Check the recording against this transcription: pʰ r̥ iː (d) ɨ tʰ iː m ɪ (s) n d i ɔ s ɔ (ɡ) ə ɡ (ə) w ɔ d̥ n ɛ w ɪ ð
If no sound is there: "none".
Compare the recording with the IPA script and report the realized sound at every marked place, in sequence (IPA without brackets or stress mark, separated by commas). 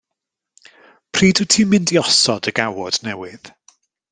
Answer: d, none, d, a